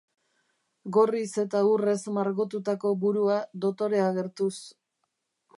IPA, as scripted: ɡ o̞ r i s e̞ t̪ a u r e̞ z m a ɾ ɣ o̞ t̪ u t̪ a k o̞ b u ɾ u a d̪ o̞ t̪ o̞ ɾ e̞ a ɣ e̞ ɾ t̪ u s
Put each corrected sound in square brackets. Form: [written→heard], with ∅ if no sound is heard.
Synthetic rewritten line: ɡ o̞ r i s e̞ t̪ a u r e̞ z m a ɾ ɣ o̞ t̪ u t̪ a k o̞ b u ɾ u a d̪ o̞ t̪ o̞ ɾ e̞ a ɣ e̞ ɾ t̪ u s